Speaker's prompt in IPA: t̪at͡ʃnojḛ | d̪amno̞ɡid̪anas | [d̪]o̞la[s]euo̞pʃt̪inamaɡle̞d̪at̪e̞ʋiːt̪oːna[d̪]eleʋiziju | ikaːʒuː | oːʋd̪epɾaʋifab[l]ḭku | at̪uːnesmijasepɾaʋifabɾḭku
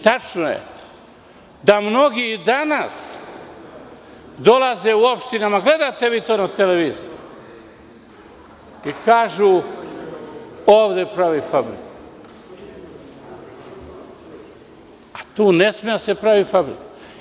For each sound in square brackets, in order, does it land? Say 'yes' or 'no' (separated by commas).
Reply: yes, no, no, no